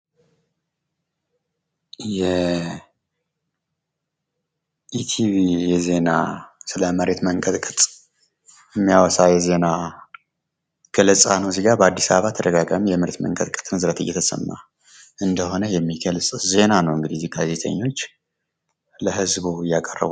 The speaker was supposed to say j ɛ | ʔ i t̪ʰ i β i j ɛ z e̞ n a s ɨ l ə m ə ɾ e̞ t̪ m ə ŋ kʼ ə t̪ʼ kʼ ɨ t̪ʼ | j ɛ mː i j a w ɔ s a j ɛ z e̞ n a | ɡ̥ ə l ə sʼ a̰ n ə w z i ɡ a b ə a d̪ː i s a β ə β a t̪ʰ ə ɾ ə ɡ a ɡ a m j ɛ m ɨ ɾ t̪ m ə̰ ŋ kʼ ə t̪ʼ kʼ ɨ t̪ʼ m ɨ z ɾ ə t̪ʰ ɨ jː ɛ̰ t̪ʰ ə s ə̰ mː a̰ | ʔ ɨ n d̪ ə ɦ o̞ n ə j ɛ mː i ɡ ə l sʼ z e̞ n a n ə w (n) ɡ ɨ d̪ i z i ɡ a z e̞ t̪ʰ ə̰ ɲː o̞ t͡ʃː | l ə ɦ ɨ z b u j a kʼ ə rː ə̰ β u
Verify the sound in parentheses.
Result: incorrect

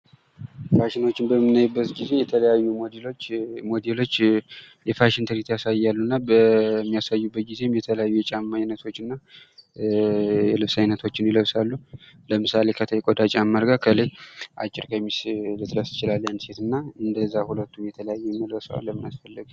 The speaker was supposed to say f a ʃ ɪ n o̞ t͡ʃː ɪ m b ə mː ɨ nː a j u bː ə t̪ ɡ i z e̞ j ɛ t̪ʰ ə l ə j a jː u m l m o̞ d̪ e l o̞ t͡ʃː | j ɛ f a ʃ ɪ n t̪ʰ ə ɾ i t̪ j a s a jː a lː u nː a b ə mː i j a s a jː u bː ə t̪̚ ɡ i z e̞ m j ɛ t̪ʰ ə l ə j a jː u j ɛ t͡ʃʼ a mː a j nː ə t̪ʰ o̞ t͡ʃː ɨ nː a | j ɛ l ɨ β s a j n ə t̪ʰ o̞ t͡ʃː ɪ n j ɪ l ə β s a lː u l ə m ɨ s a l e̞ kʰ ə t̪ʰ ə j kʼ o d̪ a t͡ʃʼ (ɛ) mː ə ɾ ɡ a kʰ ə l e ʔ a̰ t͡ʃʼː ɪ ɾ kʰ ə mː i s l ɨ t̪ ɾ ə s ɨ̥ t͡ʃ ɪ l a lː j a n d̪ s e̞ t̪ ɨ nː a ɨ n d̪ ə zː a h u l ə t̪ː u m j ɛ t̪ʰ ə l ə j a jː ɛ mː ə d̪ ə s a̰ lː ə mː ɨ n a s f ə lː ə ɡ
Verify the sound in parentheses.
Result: incorrect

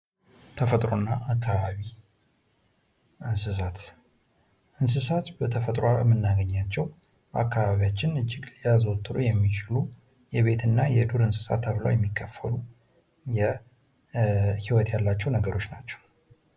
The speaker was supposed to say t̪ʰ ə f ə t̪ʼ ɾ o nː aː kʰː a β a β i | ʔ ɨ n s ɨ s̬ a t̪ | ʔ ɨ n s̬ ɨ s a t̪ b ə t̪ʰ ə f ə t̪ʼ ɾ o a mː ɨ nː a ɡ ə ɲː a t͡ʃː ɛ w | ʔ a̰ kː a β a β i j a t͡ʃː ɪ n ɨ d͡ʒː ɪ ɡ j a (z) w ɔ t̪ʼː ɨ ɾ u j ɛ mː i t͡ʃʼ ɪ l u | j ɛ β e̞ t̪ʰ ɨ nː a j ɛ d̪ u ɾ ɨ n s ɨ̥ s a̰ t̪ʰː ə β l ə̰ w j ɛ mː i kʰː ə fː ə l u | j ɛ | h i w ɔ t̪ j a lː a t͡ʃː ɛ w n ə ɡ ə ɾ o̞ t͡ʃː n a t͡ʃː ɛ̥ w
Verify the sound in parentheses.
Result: correct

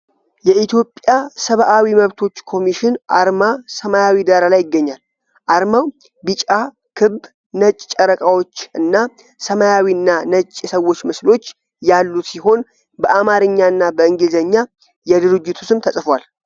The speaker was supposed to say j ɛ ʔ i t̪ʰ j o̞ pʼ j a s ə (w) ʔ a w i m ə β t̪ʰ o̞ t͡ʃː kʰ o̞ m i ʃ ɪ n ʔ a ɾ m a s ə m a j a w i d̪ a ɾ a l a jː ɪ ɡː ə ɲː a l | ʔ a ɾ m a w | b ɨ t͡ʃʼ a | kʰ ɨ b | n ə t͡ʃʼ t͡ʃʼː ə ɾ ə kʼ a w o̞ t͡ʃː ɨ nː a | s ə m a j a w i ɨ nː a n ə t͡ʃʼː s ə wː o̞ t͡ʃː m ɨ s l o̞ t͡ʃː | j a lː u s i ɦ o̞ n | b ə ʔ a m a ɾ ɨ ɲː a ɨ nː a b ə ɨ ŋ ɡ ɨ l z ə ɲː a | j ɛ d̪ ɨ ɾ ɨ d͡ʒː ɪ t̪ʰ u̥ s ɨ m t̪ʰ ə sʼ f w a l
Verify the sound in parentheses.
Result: incorrect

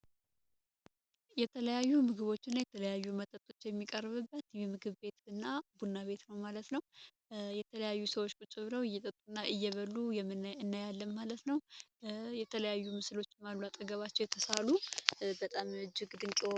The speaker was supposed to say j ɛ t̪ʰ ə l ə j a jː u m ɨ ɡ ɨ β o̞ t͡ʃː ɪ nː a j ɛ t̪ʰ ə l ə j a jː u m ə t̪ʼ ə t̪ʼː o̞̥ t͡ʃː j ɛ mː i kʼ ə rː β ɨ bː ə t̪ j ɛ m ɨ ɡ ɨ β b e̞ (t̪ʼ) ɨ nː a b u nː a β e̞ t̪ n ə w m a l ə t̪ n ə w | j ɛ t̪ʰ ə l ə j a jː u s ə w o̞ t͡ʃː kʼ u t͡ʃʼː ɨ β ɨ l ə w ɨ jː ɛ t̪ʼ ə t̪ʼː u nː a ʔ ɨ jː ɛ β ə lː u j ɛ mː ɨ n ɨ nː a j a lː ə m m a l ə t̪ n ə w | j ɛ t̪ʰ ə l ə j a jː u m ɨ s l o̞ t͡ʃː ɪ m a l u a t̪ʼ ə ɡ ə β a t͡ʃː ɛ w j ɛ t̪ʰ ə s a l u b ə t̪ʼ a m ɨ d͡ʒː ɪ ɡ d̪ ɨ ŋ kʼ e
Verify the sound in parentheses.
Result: incorrect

